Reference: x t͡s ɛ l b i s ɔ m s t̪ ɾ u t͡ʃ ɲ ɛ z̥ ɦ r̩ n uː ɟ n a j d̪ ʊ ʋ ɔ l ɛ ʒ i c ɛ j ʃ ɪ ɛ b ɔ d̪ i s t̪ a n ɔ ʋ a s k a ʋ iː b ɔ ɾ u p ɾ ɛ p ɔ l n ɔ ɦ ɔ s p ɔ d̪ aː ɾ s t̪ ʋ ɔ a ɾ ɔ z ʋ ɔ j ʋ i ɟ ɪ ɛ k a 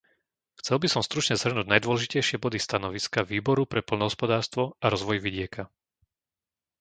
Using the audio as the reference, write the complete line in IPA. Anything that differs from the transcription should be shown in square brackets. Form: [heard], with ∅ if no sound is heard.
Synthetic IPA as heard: x t͡s ɛ l b i s ɔ m s t̪ ɾ u t͡ʃ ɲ ɛ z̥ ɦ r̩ n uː ɟ n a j d̪ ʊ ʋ ɔ l ɛ ʒ i c ɛ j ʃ ɪ ɛ b ɔ d̪ i s t̪ a n ɔ ʋ [i] s k a ʋ iː b ɔ ɾ u p ɾ ɛ p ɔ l n ɔ ɦ ɔ s p ɔ d̪ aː ɾ s t̪ ʋ ɔ a ɾ ɔ z ʋ ɔ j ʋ i ɟ ɪ ɛ k a